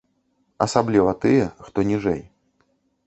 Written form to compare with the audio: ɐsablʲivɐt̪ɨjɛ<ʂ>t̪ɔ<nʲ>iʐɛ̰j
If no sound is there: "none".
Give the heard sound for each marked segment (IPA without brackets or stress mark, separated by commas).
x, nʲ